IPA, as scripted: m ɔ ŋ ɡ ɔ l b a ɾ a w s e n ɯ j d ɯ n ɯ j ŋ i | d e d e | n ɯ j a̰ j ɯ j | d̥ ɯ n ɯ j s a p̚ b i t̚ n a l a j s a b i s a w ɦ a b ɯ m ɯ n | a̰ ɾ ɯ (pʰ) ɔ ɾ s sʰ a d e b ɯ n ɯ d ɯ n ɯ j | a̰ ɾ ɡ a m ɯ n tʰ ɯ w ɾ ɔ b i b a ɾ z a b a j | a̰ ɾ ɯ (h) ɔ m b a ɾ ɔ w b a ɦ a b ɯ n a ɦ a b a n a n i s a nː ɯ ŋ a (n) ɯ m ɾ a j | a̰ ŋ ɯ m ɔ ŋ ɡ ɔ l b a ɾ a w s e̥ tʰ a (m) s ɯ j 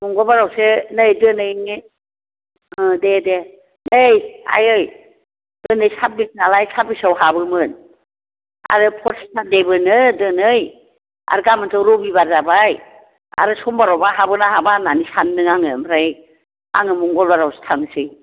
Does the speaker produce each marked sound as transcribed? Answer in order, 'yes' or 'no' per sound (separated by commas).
yes, no, no, no